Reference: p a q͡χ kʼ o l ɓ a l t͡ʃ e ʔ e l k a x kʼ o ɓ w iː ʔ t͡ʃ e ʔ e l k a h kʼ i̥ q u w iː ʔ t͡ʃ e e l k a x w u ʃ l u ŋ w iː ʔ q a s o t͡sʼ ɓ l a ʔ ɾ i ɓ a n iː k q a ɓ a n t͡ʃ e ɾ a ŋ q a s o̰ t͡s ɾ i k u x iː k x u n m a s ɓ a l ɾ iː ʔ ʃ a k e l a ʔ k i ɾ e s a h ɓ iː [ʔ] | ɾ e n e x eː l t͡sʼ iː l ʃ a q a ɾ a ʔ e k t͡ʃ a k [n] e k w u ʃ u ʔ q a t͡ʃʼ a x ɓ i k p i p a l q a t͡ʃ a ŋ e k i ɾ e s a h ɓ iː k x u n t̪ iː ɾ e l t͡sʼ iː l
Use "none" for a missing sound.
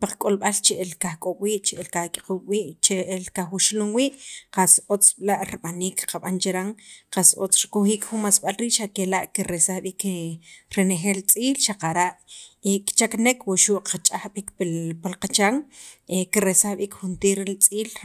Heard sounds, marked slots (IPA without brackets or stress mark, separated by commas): k, n